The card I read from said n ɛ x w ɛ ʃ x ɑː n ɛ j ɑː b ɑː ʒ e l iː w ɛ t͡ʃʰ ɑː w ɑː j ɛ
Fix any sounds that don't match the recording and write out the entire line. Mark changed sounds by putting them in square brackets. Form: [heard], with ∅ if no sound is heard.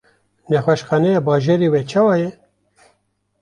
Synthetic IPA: n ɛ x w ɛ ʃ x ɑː n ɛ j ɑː b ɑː ʒ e [ɾ] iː w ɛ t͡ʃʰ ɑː w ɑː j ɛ